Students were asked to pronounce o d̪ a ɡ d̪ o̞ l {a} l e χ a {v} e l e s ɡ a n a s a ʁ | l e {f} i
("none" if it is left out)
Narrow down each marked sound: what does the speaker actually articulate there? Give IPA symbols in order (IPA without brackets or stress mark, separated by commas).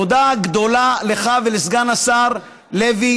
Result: a, v, v